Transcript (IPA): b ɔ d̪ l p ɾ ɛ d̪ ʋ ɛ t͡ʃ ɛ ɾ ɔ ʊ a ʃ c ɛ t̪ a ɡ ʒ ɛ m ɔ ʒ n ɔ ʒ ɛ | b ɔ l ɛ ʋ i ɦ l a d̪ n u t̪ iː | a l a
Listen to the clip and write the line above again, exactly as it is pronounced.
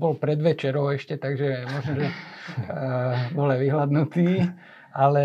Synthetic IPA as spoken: b ɔ l p ɾ ɛ d̪ ʋ ɛ t͡ʃ ɛ ɾ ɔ ʊ ɛ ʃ c ɛ t̪ a ɡ ʒ ɛ m ɔ ʒ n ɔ ʒ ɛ | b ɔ l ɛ ʋ i ɦ l a d̪ n u t̪ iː | a l ɛ